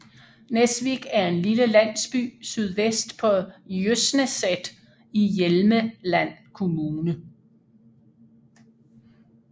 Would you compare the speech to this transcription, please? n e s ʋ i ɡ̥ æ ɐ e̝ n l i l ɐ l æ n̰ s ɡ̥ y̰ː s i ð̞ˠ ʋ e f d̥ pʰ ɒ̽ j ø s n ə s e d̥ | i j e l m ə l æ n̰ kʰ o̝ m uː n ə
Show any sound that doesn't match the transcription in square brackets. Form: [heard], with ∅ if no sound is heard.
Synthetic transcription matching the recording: n e s ʋ i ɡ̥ æ ɐ e̝ n l i l [ə] l æ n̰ s [b̥] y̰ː s [y] ð̞ˠ ʋ e [s] d̥ pʰ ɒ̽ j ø s n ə s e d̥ | i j e l m ə l æ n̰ kʰ o̝ m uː n ə

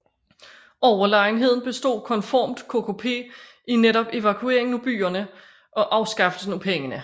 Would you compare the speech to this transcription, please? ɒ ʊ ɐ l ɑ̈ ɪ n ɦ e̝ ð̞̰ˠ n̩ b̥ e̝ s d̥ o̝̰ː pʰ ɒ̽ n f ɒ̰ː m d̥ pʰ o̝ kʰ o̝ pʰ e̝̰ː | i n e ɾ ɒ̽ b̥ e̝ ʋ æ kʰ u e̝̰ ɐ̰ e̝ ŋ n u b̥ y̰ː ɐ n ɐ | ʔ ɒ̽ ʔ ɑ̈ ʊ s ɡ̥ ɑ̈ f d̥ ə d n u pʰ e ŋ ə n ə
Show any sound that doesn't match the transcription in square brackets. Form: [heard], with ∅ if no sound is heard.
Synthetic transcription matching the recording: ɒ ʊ ɐ l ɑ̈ ɪ n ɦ e̝ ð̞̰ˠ n̩ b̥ e̝ s d̥ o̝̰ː [kʰ] ɒ̽ n f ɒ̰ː m d̥ [kʰ] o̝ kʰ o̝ pʰ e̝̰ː | i n e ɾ ɒ̽ b̥ e̝ ʋ æ kʰ u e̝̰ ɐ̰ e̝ ŋ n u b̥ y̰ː ɐ n [ə] | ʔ ɒ̽ ʔ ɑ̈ ʊ s ɡ̥ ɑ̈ f d̥ ə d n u pʰ e ŋ ə n ə

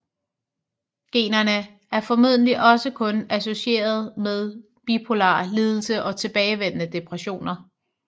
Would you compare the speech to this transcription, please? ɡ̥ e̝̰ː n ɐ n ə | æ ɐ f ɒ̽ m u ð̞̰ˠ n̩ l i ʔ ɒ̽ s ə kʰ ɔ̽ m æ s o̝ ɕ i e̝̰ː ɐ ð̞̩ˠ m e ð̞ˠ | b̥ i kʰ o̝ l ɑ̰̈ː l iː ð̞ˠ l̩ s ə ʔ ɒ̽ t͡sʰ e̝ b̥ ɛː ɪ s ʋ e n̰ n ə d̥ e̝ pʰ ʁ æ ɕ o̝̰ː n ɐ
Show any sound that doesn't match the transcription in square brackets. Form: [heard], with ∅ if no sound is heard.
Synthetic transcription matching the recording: ɡ̥ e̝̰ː n ɐ n ə | æ ɐ f ɒ̽ m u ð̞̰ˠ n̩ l i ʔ ɒ̽ s ə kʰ ɔ̽ [n] æ s o̝ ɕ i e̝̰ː ɐ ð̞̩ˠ m e ð̞ˠ | b̥ i [pʰ] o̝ l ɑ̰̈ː l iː ð̞ˠ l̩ s ə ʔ ɒ̽ t͡sʰ e̝ b̥ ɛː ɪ [∅] ʋ e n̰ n ə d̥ e̝ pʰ ʁ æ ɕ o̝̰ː n ɐ

